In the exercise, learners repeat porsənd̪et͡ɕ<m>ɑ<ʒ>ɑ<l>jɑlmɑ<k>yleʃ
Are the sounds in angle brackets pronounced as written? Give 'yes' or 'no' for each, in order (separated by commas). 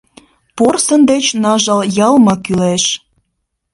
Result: no, yes, yes, yes